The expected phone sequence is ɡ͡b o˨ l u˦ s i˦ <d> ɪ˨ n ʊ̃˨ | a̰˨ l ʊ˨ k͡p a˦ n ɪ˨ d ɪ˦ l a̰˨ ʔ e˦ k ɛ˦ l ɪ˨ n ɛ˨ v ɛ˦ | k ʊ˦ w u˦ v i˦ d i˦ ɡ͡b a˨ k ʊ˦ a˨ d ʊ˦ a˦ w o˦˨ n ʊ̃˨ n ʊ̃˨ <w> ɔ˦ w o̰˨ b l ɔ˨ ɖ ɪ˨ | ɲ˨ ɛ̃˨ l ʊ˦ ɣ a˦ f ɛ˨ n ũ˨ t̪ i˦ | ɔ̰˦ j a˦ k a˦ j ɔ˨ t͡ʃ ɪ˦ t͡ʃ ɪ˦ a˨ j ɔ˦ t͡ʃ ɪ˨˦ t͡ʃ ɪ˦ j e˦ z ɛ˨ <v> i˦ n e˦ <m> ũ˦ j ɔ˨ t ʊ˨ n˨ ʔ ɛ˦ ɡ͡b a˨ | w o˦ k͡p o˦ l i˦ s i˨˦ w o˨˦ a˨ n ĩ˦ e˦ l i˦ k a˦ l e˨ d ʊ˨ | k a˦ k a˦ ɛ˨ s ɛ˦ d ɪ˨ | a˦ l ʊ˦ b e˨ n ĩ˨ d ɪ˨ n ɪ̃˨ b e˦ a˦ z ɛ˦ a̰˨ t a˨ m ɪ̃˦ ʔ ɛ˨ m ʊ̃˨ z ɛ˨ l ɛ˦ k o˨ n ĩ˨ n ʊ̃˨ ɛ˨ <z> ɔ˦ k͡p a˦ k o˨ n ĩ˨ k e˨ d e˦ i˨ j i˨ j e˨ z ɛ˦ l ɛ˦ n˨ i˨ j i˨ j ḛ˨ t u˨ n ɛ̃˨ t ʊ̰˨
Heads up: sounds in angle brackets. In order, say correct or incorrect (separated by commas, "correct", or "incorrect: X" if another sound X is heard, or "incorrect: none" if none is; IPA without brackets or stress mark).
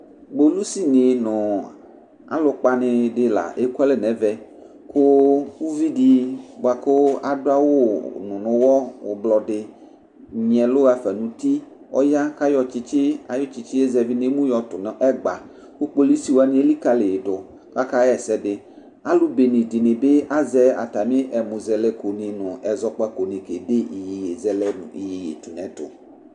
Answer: incorrect: n, correct, correct, correct, correct